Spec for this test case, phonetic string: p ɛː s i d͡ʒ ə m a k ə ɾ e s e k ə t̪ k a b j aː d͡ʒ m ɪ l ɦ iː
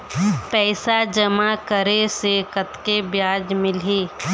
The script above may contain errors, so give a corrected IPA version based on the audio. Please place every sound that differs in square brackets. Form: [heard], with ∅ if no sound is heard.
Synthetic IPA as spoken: p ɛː s [a] d͡ʒ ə m a k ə ɾ e s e k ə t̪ k [e] b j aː d͡ʒ m ɪ l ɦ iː